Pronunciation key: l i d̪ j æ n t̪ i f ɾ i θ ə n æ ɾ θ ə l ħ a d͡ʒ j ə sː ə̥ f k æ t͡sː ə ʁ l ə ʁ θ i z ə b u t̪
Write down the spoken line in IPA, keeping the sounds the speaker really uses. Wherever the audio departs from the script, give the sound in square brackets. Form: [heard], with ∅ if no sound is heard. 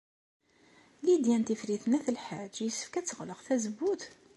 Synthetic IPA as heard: l i d̪ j æ n t̪ i f ɾ i θ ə n æ [∅] θ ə l ħ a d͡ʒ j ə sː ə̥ f k æ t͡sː ə ʁ l ə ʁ θ [æ] z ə b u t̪